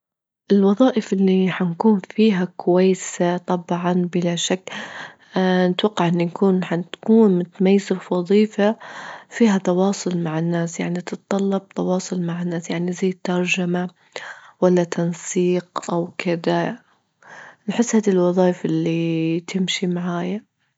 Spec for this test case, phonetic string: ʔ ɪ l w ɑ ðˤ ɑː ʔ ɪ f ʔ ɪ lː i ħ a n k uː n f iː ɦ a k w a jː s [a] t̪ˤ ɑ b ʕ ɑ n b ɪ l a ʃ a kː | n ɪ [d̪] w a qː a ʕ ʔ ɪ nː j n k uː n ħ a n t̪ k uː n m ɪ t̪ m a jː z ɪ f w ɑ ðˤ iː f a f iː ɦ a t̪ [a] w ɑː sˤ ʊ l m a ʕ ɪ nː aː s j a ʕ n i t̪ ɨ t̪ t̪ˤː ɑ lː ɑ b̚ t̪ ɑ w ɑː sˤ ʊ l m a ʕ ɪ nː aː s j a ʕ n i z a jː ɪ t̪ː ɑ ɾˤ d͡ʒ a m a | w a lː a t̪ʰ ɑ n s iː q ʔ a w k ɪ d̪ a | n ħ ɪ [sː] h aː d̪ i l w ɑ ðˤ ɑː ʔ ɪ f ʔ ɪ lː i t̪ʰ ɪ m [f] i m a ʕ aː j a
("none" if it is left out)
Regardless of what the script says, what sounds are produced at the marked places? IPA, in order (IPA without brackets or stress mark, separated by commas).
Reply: a, t̪, ɑ, sː, ʃ